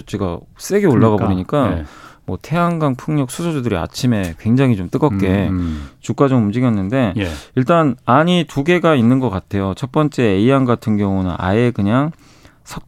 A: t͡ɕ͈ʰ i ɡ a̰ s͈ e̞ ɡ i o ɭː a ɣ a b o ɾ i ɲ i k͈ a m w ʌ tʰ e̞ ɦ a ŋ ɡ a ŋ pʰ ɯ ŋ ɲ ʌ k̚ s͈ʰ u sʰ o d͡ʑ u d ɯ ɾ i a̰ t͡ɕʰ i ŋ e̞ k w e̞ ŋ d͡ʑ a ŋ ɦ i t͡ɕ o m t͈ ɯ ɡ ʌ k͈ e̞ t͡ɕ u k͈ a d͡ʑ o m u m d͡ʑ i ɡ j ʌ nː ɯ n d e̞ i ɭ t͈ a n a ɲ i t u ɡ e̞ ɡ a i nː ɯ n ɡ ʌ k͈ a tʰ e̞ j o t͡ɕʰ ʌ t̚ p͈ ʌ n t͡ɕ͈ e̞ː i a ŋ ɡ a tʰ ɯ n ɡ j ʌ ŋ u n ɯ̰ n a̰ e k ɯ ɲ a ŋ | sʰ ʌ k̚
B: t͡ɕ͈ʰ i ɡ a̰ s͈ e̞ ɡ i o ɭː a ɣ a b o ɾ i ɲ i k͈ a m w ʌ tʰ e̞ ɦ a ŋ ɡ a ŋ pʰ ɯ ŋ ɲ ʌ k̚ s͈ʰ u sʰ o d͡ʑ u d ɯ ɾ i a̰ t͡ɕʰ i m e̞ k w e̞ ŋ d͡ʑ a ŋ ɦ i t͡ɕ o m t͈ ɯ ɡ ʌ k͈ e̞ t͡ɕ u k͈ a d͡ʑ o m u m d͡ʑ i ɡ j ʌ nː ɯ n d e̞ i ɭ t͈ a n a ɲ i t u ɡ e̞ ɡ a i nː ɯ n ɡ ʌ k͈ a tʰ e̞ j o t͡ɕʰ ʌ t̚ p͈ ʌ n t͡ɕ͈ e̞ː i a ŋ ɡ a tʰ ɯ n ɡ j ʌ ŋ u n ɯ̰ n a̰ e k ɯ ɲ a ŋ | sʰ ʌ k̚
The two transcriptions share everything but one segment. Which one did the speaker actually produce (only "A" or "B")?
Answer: B